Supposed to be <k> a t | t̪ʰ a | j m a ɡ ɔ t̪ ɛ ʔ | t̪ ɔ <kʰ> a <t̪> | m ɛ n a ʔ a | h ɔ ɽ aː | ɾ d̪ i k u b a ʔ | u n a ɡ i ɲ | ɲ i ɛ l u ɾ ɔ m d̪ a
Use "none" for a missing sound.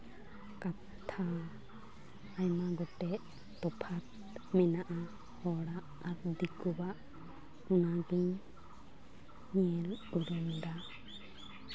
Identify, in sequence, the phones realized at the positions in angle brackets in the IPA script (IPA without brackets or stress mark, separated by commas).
k, pʰ, t̪